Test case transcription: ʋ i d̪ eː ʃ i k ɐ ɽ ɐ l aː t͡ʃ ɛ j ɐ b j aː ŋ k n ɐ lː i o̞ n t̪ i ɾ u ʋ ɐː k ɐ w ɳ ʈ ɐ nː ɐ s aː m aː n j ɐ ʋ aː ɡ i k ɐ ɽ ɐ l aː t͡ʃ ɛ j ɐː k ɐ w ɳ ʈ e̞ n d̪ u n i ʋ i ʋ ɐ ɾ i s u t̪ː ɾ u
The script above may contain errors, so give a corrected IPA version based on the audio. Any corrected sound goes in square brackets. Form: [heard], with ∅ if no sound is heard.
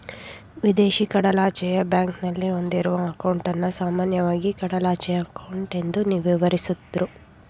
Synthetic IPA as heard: ʋ i d̪ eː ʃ i k ɐ ɽ ɐ l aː t͡ʃ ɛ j ɐ b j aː ŋ k n ɐ lː i o̞ n [d̪] i ɾ u ʋ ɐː k ɐ w ɳ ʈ ɐ nː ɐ s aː m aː n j ɐ ʋ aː ɡ i k ɐ ɽ ɐ l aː t͡ʃ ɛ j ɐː k ɐ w ɳ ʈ e̞ n d̪ u n i ʋ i ʋ ɐ ɾ i s u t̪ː ɾ u